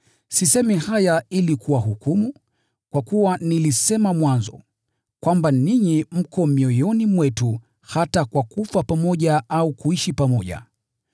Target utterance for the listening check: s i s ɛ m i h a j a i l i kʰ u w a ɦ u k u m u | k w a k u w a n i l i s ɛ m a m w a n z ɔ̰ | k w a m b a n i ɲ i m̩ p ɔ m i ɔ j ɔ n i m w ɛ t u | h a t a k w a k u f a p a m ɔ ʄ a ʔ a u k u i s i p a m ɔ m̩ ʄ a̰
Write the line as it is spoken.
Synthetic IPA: s i s ɛ m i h a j a i l i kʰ u w a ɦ u k u m u | k w a k u w a n i l i s ɛ m a m w a n z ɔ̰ | k w a m b a n i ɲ i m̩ k ɔ m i ɔ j ɔ n i m w ɛ t u | h a t a k w a k u f a p a m ɔ ʄ a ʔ a u k u i ʃ i p a m ɔ ʄ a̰